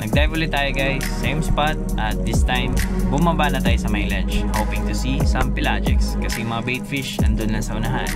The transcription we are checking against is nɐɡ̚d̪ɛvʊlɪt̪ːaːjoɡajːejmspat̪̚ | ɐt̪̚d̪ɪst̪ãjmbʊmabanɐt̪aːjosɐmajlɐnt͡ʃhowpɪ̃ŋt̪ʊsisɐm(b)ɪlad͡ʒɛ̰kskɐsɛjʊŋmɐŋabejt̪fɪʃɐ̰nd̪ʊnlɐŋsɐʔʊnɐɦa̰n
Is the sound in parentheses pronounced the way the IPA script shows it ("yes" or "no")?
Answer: no